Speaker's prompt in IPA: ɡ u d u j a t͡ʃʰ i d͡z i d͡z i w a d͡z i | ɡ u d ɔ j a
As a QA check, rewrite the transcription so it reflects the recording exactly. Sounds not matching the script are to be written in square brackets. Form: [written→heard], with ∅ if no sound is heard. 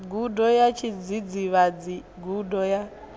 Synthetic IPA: ɡ u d [u→ɔ] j a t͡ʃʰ i d͡z i d͡z i [w→β] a d͡z i | ɡ u d ɔ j a